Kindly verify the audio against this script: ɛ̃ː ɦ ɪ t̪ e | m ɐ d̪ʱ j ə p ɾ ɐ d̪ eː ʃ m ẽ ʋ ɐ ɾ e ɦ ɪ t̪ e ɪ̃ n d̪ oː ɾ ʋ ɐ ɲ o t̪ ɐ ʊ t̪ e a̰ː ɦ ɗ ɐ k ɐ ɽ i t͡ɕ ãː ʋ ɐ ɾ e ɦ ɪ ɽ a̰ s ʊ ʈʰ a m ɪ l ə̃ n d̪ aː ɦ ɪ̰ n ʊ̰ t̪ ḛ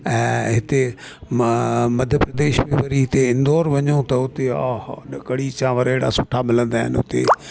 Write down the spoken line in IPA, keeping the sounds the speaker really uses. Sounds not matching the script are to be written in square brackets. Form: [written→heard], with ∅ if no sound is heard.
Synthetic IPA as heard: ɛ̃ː ɦ ɪ t̪ e | m ɐ d̪ʱ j ə p ɾ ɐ d̪ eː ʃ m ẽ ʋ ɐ ɾ [e→i] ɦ ɪ t̪ e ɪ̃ n d̪ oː ɾ ʋ ɐ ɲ o t̪ ɐ ʊ t̪ e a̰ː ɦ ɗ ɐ k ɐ ɽ i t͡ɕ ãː ʋ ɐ ɾ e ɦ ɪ ɽ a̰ s ʊ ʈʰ a m ɪ l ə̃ n d̪ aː ɦ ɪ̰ n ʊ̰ t̪ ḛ

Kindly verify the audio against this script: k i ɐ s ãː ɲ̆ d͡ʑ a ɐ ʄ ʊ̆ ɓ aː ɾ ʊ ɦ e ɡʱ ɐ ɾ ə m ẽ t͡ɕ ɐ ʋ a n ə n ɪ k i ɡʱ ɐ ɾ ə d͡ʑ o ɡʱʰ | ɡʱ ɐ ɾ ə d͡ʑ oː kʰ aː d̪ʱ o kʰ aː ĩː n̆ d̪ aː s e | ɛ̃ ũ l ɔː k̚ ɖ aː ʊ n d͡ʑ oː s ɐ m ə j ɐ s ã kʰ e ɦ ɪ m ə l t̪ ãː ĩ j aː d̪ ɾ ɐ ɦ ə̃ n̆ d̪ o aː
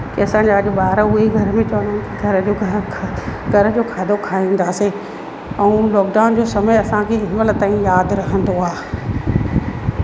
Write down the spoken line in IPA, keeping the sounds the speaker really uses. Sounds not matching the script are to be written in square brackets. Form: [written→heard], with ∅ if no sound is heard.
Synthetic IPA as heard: k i ɐ s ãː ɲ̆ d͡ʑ a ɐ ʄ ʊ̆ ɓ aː ɾ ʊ ɦ e ɡʱ ɐ ɾ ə m ẽ t͡ɕ ɐ ʋ [a→ə] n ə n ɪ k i ɡʱ ɐ ɾ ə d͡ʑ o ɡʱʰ | ɡʱ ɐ ɾ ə d͡ʑ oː kʰ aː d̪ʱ o kʰ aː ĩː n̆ d̪ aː s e | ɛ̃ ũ l ɔː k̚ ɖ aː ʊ n d͡ʑ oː s ɐ m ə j ɐ s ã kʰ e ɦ ɪ m ə l t̪ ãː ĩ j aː d̪ ɾ ɐ ɦ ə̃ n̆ d̪ o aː

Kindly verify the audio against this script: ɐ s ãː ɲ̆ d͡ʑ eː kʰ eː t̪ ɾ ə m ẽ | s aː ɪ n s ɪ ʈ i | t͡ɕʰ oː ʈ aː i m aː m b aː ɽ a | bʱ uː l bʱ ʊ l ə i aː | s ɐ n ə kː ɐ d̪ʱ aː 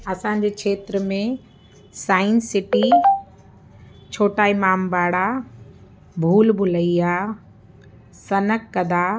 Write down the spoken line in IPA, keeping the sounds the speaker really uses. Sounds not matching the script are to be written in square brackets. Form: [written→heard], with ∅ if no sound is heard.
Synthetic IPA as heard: ɐ s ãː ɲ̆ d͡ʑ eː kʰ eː t̪ ɾ ə m ẽ | s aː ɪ n s ɪ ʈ i | t͡ɕʰ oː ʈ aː i m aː m b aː ɽ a | bʱ uː l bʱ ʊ l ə i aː | s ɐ n ə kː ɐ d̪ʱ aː

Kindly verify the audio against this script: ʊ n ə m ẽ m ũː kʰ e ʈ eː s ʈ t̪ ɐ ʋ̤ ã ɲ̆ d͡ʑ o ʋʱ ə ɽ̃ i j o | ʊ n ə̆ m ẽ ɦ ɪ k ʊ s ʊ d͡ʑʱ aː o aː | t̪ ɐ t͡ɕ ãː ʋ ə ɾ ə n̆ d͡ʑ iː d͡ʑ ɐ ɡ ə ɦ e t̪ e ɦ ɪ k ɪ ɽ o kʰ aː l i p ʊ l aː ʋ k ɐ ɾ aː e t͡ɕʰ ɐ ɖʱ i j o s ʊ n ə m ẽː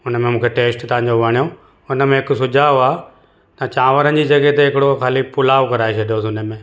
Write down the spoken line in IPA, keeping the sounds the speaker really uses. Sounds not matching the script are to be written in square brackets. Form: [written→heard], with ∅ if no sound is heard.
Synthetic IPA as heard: ʊ n ə m ẽ m ũː kʰ e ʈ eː s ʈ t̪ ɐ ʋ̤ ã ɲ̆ d͡ʑ o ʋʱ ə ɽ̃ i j o | ʊ n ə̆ m ẽ ɦ ɪ k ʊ s ʊ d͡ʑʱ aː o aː | t̪ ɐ t͡ɕ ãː ʋ ə ɾ ə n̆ d͡ʑ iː d͡ʑ ɐ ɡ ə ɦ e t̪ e ɦ ɪ k ɪ ɽ o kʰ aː l i p ʊ l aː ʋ k ɐ ɾ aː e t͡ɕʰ ɐ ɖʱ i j o s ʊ n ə m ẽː

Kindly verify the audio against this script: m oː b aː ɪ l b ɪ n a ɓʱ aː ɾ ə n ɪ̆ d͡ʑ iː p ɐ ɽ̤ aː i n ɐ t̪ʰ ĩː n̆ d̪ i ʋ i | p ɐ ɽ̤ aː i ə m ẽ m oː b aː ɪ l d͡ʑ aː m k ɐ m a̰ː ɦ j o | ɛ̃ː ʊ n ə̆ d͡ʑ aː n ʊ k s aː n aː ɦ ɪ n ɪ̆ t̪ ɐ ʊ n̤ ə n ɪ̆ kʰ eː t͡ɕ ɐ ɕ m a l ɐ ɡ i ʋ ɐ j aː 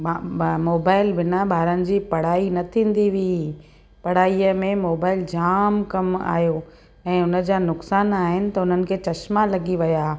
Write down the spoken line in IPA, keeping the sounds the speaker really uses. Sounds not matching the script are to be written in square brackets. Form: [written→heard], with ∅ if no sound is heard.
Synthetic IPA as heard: m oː b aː ɪ l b ɪ n a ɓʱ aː ɾ ə n ɪ̆ d͡ʑ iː p ɐ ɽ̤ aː i n ɐ t̪ʰ ĩː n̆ d̪ i ʋ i | p ɐ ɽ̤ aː i ə m ẽ m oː b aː ɪ l d͡ʑ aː m k ɐ m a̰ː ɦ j o | ɛ̃ː ʊ n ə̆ d͡ʑ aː n ʊ k s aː n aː ɦ ɪ n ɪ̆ t̪ ɐ ʊ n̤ ə n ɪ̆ kʰ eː t͡ɕ ɐ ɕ m a l ɐ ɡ i ʋ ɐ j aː

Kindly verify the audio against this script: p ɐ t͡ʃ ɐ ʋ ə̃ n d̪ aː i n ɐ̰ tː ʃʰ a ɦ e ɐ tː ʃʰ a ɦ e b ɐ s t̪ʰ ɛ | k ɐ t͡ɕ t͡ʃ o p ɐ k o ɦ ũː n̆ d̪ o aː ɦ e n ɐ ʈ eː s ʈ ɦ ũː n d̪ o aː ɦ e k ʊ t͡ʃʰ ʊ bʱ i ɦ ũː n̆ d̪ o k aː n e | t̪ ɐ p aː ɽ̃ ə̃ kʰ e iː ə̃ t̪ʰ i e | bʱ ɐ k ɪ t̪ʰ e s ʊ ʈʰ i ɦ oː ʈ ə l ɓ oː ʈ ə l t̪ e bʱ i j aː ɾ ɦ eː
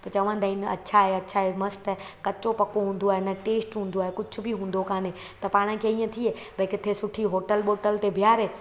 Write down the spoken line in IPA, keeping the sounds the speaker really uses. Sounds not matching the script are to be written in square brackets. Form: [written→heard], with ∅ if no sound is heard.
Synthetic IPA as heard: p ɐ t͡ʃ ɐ ʋ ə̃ n d̪ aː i n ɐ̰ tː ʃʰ a ɦ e ɐ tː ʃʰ a ɦ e [b→m] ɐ s [t̪ʰ→t̪] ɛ | k ɐ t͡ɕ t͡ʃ o p ɐ k o ɦ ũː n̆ d̪ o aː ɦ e n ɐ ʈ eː s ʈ ɦ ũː n d̪ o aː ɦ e k ʊ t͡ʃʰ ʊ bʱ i ɦ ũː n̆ d̪ o k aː n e | t̪ ɐ p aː ɽ̃ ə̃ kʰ e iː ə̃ t̪ʰ i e | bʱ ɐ k ɪ t̪ʰ e s ʊ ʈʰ i ɦ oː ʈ ə l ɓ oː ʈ ə l t̪ e bʱ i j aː ɾ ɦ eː

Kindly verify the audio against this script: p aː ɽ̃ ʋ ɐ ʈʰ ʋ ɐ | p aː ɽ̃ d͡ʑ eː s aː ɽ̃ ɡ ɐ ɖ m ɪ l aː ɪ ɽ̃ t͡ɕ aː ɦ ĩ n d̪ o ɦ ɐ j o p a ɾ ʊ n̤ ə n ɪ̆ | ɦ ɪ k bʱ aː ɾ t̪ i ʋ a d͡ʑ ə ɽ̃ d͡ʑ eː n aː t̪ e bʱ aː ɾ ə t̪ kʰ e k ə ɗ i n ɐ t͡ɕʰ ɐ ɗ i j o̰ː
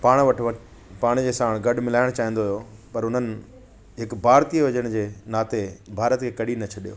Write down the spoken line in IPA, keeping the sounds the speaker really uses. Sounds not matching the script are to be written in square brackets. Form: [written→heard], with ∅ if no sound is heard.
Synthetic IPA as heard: p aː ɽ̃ ʋ ɐ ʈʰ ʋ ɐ | p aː ɽ̃ d͡ʑ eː s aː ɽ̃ ɡ ɐ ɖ m ɪ l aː ɪ ɽ̃ t͡ɕ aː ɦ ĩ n d̪ o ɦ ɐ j o p [a→ɐ] ɾ ʊ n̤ ə n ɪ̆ | ɦ ɪ k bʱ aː ɾ t̪ i ʋ [a→ɐ] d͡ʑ ə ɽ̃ d͡ʑ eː n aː t̪ e bʱ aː ɾ ə t̪ kʰ e k [ə→ɐ] ɗ i n ɐ t͡ɕʰ ɐ ɗ i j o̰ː

